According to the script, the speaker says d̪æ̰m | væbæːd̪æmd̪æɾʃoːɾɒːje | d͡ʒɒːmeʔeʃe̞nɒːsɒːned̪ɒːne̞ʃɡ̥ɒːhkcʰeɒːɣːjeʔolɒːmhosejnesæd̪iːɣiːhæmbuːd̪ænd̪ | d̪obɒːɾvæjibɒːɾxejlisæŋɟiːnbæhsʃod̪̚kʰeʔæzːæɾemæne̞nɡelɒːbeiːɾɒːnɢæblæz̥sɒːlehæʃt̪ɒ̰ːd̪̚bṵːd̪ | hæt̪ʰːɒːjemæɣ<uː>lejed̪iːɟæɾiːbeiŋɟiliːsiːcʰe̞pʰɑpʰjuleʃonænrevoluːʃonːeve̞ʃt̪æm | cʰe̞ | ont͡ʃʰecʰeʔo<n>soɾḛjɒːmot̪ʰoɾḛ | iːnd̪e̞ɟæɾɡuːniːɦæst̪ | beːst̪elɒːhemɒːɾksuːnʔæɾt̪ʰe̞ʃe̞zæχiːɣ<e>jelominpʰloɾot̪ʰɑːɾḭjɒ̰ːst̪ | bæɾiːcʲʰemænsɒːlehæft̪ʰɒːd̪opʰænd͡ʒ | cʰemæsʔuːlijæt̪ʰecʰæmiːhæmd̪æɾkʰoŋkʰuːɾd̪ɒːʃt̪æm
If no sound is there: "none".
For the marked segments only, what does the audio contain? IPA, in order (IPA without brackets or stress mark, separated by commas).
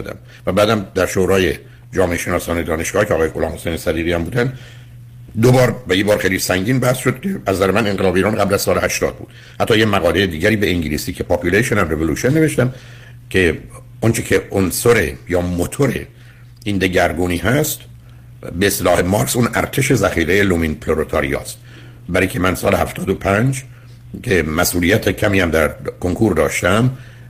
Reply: ɒː, n, e